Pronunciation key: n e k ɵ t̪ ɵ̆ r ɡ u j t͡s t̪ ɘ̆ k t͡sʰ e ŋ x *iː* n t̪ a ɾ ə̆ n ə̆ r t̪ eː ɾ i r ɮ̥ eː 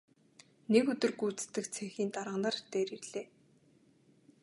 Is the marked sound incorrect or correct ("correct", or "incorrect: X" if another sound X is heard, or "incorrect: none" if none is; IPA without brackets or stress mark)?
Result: correct